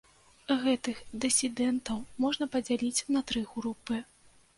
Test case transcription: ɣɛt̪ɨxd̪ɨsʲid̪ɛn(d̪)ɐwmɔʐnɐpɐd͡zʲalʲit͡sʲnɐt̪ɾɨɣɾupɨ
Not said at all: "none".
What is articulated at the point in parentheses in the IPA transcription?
t̪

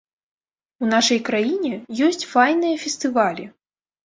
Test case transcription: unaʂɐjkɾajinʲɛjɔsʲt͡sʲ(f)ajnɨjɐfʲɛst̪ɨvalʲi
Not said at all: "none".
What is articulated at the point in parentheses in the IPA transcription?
f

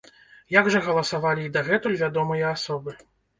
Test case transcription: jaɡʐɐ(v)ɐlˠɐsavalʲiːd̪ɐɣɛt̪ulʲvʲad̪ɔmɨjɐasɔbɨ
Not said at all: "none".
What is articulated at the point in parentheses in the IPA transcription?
ɣ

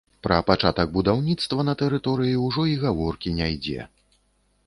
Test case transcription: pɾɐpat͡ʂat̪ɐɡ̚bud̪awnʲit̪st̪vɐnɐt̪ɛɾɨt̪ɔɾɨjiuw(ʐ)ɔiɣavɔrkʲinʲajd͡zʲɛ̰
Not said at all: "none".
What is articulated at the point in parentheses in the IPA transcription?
ʐ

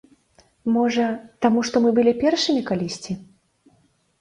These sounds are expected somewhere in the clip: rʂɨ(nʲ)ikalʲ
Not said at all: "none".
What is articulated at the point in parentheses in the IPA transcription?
mʲ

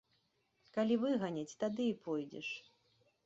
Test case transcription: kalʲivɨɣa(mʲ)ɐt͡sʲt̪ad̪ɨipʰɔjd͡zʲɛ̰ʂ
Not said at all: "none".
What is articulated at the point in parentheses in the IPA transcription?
nʲ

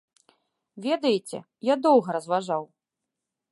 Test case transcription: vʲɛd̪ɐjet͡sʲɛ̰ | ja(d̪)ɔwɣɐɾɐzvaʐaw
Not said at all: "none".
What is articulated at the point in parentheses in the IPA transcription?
d̪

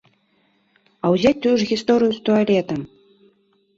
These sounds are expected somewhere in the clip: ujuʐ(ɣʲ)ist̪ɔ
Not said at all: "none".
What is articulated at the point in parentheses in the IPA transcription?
ɣʲ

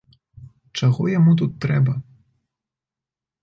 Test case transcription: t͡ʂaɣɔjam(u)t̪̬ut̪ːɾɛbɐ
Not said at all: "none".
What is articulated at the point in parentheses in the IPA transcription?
u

